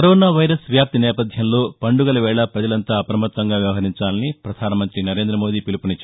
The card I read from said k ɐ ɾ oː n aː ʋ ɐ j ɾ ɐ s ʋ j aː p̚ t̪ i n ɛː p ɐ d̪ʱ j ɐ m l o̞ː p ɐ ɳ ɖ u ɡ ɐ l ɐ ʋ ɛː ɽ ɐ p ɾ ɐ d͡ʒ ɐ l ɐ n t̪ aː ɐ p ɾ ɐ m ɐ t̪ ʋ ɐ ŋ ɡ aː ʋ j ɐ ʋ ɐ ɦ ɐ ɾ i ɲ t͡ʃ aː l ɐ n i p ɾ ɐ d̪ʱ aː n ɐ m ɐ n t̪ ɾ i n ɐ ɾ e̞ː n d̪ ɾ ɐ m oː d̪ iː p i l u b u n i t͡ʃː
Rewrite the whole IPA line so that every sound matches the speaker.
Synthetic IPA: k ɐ ɾ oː n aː ʋ ɐ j ɾ ɐ s ʋ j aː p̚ t̪ i n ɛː p ɐ d̪ʱ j ɐ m l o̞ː p ɐ ɳ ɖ u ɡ ɐ l ɐ ʋ ɛː ɭ ɐ p ɾ ɐ d͡ʒ ɐ l ɐ n t̪ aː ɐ p ɾ ɐ m ɐ t̪ ʋ ɐ ŋ ɡ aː ʋ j ɐ ʋ ɐ ɦ ɐ ɾ i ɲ t͡ʃ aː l ɐ n i p ɾ ɐ d̪ʱ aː n ɐ m ɐ n t̪ ɾ i n ɐ ɾ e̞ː n d̪ ɾ ɐ m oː d̪ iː p i l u p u n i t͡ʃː